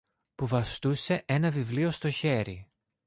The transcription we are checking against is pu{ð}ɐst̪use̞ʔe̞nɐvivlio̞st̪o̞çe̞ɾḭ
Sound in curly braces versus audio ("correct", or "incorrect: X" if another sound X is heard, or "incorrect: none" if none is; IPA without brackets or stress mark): incorrect: v